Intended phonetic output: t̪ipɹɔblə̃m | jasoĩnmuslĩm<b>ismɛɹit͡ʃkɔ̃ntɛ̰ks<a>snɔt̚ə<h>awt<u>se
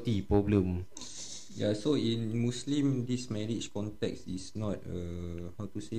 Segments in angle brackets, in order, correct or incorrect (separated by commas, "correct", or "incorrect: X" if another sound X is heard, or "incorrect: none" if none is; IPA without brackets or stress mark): incorrect: d, incorrect: i, correct, correct